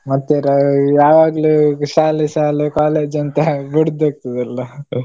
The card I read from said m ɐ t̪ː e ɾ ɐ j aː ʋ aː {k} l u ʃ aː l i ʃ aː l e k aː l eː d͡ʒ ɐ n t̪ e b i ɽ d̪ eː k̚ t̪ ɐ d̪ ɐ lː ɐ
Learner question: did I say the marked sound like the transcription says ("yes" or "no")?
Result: no